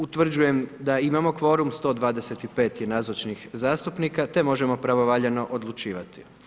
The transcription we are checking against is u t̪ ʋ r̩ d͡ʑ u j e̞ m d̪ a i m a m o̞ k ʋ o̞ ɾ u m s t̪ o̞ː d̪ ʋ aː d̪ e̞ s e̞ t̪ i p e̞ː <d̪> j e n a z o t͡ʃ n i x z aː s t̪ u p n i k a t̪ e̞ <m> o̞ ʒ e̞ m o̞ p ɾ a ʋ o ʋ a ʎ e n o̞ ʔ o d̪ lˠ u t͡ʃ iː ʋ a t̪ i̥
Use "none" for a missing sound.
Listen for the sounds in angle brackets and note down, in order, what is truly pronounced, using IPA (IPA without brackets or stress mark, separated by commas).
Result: t̪, m